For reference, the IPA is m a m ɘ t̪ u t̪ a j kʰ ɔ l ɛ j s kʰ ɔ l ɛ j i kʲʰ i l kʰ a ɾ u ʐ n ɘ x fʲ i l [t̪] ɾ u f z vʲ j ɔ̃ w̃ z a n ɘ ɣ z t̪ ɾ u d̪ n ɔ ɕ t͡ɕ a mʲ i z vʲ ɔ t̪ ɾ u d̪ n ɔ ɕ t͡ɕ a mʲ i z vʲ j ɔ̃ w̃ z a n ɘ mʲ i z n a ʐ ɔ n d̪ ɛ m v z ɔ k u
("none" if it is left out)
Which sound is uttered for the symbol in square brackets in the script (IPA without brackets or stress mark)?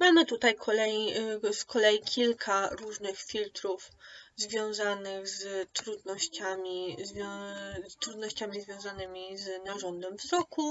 t̪